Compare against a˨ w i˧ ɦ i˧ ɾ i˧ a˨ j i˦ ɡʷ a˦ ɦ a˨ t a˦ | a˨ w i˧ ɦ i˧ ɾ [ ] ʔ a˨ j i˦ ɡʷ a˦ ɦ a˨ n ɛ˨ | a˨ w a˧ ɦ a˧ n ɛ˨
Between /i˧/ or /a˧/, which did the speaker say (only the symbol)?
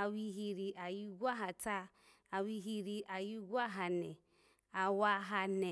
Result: i˧